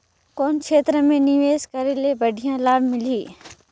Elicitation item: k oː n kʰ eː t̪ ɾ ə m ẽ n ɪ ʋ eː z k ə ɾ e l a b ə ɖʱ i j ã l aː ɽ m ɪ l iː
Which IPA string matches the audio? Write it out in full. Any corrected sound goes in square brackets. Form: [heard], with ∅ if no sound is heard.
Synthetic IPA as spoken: k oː n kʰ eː t̪ ɾ ə m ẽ n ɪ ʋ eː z k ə ɾ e l [e] b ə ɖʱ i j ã l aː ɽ m ɪ l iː

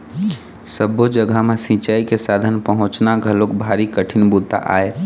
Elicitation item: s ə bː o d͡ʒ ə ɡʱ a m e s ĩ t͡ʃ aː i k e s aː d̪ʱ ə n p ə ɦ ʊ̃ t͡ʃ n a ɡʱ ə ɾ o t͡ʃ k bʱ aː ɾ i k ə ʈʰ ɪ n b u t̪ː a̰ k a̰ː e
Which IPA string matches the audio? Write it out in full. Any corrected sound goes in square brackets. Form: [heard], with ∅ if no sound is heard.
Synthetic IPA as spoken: s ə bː o d͡ʒ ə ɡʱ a m e s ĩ t͡ʃ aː i k e s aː d̪ʱ ə n p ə ɦ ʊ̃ t͡ʃ n a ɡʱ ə [l] o [∅] k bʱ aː ɾ i k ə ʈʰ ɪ n b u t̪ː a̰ [ʔ] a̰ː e

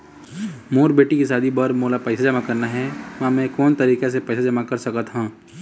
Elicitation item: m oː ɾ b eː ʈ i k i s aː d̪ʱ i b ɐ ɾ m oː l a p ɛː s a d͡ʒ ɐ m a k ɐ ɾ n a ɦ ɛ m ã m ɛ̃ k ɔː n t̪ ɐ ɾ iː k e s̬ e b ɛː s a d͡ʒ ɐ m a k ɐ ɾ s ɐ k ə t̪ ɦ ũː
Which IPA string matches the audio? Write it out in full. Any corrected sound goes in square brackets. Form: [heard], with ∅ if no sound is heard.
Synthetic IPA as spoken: m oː ɾ b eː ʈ i k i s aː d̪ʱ i b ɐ ɾ m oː l a p ɛː s a d͡ʒ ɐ m a k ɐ ɾ n a ɦ ɛ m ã m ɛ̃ k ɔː n t̪ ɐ ɾ iː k e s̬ e [p] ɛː s a d͡ʒ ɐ m a k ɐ ɾ s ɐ k ə t̪ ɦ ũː

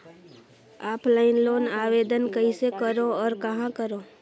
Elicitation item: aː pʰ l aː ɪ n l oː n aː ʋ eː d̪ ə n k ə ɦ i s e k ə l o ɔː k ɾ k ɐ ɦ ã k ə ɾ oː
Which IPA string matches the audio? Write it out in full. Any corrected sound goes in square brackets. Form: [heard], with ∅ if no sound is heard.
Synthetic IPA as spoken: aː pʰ l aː ɪ n l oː n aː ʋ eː d̪ ə n k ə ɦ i s e k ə [ɾ] o ɔː [∅] ɾ k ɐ ɦ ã k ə ɾ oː

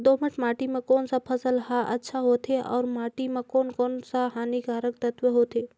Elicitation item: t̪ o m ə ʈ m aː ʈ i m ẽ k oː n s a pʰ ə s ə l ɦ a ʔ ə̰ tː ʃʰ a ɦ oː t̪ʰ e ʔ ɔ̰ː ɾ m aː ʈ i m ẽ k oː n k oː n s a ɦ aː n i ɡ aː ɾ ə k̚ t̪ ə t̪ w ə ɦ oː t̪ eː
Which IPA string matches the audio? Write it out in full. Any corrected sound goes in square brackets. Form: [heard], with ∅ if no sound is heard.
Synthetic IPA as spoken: [d̪] o m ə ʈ m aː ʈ i m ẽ k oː n s a pʰ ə s ə l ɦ a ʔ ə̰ tː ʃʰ a ɦ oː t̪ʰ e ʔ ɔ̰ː ɾ m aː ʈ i m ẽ k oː n k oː n s a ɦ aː n i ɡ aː ɾ ə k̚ t̪ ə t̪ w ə ɦ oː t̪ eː

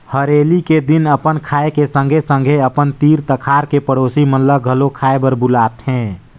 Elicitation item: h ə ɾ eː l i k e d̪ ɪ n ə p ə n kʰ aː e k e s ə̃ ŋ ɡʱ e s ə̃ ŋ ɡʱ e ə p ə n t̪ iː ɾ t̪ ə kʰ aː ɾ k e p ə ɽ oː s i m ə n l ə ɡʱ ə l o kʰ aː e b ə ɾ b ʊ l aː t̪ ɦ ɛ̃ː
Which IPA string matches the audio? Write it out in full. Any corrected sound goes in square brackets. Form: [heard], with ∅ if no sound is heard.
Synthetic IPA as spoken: h ə ɾ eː l i k e d̪ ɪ n ə p ə n kʰ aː e k e s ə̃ ŋ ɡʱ e s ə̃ ŋ ɡʱ e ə p ə n t̪ iː ɾ t̪ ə kʰ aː ɾ k e p ə ɽ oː s i m ə n l ə ɡʱ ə l o kʰ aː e b ə ɾ b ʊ l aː t̪ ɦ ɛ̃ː

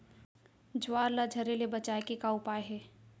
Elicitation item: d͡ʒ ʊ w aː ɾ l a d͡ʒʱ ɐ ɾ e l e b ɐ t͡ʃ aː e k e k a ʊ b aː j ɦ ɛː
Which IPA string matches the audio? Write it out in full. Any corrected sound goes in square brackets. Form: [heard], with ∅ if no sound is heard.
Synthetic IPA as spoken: d͡ʒ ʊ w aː ɾ l a d͡ʒʱ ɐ ɾ e l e b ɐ t͡ʃ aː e k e k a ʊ [p] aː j ɦ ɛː

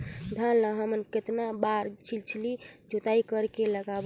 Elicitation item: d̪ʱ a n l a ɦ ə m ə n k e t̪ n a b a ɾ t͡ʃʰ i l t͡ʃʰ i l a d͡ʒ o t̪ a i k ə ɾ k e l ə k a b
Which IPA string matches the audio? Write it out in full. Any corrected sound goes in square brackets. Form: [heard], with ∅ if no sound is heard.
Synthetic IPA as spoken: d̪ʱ a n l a ɦ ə m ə n k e t̪ n a b a ɾ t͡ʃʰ i l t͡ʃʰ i l [i] d͡ʒ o t̪ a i k ə ɾ k e l ə [ɡ] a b

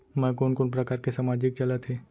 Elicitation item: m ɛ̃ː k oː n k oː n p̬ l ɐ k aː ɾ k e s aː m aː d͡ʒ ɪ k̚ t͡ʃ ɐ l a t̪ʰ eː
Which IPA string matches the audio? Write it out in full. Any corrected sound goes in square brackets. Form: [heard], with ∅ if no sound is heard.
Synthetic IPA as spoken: m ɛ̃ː k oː n k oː n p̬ [ɾ] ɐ k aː ɾ k e s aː m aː d͡ʒ ɪ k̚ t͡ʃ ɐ l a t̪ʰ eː

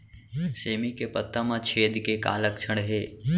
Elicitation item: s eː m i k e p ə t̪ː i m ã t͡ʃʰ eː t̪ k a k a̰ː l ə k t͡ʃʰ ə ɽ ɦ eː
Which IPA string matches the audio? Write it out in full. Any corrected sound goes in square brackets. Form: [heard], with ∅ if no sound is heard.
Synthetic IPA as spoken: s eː m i k e p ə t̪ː [a] m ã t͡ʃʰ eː [d̪] k [e] k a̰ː l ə k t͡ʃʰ ə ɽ ɦ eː

